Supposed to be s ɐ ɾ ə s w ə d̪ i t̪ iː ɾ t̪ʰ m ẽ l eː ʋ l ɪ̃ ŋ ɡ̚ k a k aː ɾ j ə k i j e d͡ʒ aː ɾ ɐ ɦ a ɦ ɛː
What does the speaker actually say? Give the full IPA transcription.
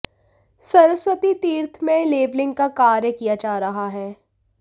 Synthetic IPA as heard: s ɐ ɾ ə s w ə t̪ i t̪ iː ɾ t̪ʰ m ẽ l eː ʋ l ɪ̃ ŋ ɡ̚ k a k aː ɾ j ə k i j a d͡ʒ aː ɾ ɐ ɦ a ɦ ɛː